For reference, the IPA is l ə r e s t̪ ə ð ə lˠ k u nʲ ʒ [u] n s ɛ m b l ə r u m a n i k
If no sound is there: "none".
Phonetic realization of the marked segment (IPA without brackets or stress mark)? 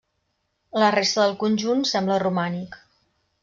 u